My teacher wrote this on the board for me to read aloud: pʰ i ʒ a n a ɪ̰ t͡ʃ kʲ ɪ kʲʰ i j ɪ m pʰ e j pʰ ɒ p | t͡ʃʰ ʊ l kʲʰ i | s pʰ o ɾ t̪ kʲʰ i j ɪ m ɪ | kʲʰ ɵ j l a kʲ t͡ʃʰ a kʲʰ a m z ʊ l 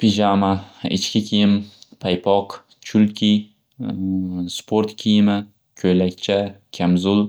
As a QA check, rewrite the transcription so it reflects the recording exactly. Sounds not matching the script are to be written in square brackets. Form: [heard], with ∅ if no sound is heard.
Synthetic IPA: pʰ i ʒ a [m] a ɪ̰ t͡ʃ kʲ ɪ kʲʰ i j ɪ m pʰ [a] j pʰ ɒ [q] | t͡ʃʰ ʊ l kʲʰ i | s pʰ o ɾ t̪ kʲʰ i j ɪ m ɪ | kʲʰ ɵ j l a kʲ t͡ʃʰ a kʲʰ a m z ʊ l